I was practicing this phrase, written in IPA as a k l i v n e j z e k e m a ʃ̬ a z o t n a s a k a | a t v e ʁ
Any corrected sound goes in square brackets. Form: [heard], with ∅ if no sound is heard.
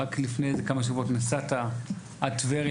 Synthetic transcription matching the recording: a k l i [f] n e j z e k [a] m a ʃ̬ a [v] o t n a s a [t] a | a t v e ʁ